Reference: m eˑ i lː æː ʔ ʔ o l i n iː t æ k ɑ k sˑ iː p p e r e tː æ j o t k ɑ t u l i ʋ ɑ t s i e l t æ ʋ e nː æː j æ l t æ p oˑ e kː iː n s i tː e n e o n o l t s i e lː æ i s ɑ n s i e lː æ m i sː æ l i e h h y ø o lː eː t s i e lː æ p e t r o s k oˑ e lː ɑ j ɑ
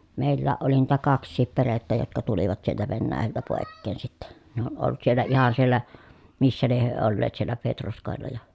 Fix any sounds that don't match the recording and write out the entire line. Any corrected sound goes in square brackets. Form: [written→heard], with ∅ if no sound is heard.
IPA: m eˑ i lː æː ʔ ʔ o l i n iː t æ k ɑ k sˑ iː p p e r e tː æ j o t k ɑ t u l i ʋ ɑ t s i e l t æ ʋ e nː æː j æ l t æ p oˑ e kː [iː→eː] n s i tː e n e o n o l t s i e lː æ i [s→h] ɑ n s i e lː æ m i sː æ l i e h h y ø o lː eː t s i e lː æ p e t r o s k oˑ e lː ɑ j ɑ

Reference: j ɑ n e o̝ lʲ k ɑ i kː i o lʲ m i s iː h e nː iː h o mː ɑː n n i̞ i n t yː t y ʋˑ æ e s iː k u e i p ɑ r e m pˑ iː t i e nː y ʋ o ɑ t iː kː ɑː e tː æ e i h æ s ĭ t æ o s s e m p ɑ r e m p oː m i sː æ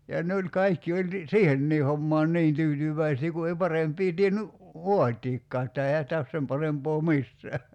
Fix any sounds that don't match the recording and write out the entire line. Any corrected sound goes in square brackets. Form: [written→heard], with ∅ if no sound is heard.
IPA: j ɑ n e o̝ lʲ k ɑ i kː i o lʲ [m→n] i s iː h e nː iː h o mː ɑː n n i̞ i n t yː t y ʋˑ æ [e→i] s iː k u e i p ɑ r e m pˑ iː t i e nː y ʋ o ɑ t iː kː ɑː e tː æ e i h æ s ĭ t æ o s s e m p ɑ r e m p oː m i sː [æ→æː]

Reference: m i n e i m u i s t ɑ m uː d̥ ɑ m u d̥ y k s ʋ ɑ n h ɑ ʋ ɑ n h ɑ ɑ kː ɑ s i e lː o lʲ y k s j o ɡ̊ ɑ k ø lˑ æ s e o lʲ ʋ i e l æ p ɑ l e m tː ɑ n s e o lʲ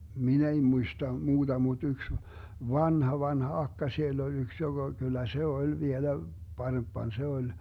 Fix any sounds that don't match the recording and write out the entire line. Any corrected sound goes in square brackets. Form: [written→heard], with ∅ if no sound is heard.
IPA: m i n e i m u i s t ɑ m uː d̥ ɑ m u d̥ y k s ʋ ɑ n h ɑ ʋ ɑ n h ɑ ɑ kː ɑ s i e lː o lʲ y k s j o ɡ̊ ɑ k [ø→y] lˑ æ s e o lʲ ʋ i e l æ p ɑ [l→r] e m [tː→pː] ɑ n s e o lʲ

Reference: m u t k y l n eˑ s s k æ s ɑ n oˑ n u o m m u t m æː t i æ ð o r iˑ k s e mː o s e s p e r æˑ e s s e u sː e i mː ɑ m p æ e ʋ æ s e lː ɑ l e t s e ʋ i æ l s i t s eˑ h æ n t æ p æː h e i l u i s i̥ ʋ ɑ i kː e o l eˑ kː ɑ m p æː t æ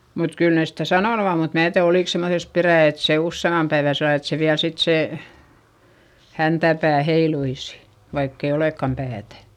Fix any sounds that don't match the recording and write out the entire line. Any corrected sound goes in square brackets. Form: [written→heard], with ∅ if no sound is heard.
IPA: m u t k y l n eˑ s s [k→t] æ s ɑ n oˑ n u o m m u t m æː t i æ ð o [r→l] iˑ k s e mː o s e s p e r æˑ e [s→t] s e u sː e i mː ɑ m p æ e ʋ æ s e lː ɑ l e t s e ʋ i æ l s i t s eˑ h æ n t æ p æː h e i l u i s i̥ ʋ ɑ i kː e o l eˑ kː ɑ m p æː t æ

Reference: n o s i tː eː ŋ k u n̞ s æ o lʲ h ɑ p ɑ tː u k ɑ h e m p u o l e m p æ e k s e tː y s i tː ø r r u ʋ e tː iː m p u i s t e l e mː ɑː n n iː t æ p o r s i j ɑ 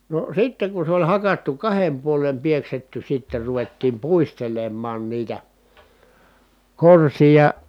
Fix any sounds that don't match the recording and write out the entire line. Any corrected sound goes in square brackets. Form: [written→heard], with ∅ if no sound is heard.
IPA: n o s i tː [eː→e] ŋ k u n̞ s [æ→e] o lʲ h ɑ [p→k] ɑ tː u k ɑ h e m p u o l e m p [æ→i] e k s e tː y s i tː [ø→e] r r u ʋ e tː iː m p u i s t e l e mː ɑː n n iː t æ [p→k] o r s i j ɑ

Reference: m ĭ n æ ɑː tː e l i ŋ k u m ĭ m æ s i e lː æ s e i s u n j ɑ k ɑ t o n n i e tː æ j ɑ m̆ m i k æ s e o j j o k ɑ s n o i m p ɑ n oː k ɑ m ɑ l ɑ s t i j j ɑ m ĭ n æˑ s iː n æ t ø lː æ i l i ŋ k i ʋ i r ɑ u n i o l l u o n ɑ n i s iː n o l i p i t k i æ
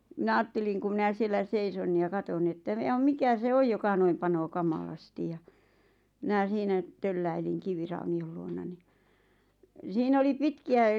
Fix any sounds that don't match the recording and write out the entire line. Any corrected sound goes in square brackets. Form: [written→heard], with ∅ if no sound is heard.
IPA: m ĭ n æ ɑː tː e l i ŋ k u m ĭ [m→n] æ s i e lː æ s e i s [u→o] n j ɑ k ɑ t o n n i e tː æ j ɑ m̆ m i k æ s e o j j o k ɑ [s→∅] n o i m p ɑ n oː k ɑ m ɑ l ɑ s t i j j ɑ m ĭ n æˑ s iː n æ t ø lː æ i l i ŋ k i ʋ i r ɑ u n i o l l u o n ɑ n i s iː n o l i p i t k i æ

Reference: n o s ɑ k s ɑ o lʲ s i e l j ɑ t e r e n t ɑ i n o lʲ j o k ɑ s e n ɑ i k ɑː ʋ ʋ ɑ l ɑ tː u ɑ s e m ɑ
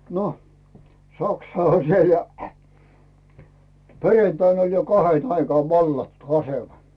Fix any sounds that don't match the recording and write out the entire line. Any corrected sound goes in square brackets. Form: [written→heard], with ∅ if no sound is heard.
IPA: n o s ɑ k s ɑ o lʲ s i e l j ɑ [t→p] e r e n t ɑ i n o lʲ j o k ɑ [s→h] e n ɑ i k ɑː ʋ ʋ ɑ [l→lː] ɑ tː u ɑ s e m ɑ

